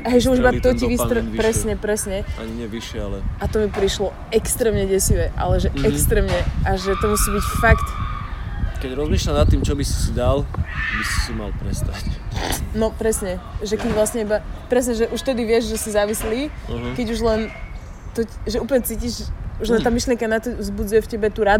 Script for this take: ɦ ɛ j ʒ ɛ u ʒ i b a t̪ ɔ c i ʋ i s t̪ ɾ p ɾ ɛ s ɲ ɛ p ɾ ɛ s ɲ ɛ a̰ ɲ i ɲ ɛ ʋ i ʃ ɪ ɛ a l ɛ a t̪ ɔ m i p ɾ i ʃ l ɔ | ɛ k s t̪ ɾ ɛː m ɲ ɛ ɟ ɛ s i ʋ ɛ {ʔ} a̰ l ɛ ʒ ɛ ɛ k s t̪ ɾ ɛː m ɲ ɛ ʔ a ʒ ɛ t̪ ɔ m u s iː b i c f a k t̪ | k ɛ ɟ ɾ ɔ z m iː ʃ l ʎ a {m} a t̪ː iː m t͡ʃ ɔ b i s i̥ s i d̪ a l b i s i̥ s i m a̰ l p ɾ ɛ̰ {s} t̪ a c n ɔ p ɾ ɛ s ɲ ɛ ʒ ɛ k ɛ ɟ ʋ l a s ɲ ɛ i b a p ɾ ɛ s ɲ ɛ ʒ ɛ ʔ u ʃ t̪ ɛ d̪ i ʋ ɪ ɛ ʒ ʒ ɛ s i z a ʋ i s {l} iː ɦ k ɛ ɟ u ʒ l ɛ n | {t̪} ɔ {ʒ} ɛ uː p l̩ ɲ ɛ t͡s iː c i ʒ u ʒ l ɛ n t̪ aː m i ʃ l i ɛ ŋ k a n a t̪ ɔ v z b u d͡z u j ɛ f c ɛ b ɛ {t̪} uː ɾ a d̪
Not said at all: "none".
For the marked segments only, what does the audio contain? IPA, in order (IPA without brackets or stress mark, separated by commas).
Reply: ʔ, n, s, l, t̪, ʒ, t̪